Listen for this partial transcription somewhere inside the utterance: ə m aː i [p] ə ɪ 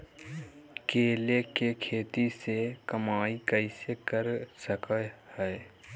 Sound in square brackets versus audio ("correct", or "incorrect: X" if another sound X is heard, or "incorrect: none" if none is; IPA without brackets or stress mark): incorrect: k